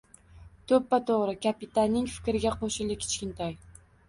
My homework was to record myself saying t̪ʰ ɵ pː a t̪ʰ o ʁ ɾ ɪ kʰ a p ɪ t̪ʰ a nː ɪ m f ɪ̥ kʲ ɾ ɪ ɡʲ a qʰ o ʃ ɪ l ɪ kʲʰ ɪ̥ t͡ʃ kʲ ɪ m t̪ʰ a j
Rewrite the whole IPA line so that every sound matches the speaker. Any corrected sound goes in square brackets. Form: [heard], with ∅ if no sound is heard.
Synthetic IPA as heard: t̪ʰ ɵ pː a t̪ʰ o ʁ ɾ ɪ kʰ a p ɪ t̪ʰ a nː ɪ [ŋ] f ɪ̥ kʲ ɾ ɪ ɡʲ a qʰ o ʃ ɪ l ɪ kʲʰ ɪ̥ t͡ʃ kʲ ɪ [n] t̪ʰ a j